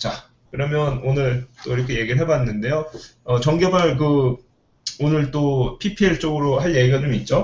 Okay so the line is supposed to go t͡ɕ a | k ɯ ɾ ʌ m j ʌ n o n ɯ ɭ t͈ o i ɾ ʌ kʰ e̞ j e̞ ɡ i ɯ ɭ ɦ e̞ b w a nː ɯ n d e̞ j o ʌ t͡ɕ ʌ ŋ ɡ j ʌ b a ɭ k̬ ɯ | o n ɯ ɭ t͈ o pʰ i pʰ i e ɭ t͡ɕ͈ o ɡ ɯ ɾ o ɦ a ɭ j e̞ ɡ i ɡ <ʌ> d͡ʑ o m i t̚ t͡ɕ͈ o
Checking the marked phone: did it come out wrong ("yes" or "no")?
yes